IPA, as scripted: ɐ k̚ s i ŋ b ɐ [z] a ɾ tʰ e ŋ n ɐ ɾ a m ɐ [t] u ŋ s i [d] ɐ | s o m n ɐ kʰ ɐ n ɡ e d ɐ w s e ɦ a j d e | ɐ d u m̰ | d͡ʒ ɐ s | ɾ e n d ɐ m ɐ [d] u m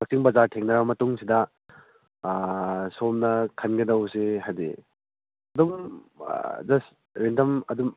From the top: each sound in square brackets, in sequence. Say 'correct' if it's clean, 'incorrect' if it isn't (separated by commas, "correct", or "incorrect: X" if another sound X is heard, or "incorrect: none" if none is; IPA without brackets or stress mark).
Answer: correct, correct, correct, correct